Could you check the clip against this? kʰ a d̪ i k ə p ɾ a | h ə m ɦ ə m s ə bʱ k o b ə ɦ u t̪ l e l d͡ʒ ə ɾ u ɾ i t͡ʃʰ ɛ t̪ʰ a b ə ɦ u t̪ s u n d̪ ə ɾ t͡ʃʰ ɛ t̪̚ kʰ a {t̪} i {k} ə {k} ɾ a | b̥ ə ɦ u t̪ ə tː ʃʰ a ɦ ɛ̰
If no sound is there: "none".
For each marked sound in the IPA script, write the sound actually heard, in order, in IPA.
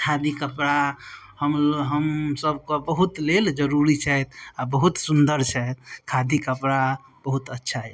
d̪, k, p

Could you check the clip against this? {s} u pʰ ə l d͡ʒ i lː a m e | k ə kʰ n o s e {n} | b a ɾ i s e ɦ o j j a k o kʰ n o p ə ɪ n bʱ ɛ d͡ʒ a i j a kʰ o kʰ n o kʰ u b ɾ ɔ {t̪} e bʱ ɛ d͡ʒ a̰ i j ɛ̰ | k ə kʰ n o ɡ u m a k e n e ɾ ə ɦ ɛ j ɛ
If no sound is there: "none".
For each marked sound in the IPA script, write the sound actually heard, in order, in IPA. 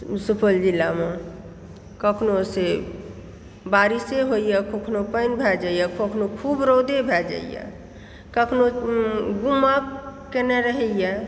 s, none, d̪

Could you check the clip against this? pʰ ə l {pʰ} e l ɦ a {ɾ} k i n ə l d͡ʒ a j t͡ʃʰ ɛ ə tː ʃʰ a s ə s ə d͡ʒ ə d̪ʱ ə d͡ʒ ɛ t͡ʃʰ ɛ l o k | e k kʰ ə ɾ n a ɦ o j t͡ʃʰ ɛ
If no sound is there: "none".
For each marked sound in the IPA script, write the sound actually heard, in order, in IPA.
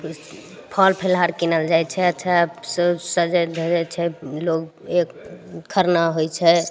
pʰ, ɾ

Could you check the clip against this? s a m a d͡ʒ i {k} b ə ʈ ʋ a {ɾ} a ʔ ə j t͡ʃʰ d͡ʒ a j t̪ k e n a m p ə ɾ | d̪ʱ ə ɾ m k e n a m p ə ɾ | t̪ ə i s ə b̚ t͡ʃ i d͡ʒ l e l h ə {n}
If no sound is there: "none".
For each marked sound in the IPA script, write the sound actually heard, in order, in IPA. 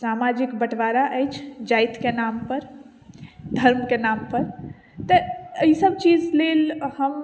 k, ɾ, m

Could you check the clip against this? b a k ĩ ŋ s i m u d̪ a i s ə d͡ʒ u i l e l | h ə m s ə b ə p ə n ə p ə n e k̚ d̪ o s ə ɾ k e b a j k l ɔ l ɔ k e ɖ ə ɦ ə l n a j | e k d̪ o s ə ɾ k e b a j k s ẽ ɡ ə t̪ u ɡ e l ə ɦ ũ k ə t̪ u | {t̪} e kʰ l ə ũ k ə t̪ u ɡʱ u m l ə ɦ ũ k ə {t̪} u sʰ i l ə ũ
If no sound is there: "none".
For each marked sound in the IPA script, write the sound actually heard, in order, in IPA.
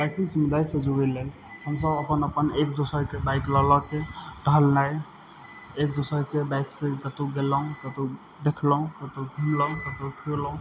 d̪, t̪

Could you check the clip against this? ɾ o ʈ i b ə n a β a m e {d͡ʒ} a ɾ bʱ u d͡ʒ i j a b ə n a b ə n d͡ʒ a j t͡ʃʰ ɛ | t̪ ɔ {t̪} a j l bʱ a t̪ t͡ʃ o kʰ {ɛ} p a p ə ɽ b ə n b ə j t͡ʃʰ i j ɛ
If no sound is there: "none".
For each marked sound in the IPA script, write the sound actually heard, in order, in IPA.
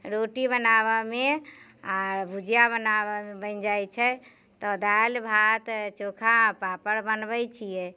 none, d̪, a

